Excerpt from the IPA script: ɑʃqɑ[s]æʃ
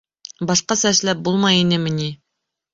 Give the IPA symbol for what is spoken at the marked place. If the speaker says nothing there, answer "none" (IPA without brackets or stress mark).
s